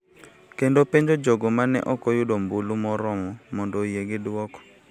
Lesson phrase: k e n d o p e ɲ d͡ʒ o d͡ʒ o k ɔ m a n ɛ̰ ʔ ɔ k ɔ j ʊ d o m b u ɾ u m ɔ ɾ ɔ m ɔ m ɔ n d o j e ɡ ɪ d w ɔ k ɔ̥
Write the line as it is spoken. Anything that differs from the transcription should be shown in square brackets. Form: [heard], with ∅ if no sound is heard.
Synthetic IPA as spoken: k e n d o p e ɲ d͡ʒ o d͡ʒ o [ɡ] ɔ m a n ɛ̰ ʔ ɔ k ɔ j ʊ d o m b u [l] u m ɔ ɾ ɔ m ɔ m ɔ n d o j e ɡ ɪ d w ɔ k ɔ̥

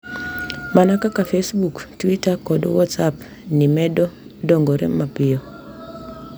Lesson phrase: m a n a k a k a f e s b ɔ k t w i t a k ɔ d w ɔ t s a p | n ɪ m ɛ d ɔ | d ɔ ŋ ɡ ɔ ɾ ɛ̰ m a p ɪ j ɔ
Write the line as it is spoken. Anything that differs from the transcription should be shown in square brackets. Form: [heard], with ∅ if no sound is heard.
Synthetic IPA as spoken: m a n a k a k a f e s b [u] k t w i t a k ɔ d w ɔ t s a p | n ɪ m ɛ d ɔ | d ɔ ŋ ɡ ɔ ɾ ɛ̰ m a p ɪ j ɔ

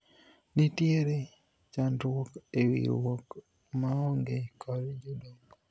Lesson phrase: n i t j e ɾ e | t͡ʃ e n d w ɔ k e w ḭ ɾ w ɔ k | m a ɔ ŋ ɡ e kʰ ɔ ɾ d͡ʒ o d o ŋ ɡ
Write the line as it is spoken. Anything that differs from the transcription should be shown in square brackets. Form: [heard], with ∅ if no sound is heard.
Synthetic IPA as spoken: n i t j e ɾ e | t͡ʃ [a] n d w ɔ k e w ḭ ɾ w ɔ k | m a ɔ ŋ ɡ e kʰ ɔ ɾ d͡ʒ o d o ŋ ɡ

